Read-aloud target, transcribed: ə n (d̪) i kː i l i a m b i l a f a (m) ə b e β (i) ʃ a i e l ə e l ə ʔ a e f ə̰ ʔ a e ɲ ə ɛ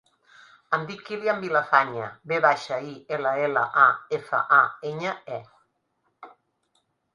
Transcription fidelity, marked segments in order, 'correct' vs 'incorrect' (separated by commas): correct, incorrect, incorrect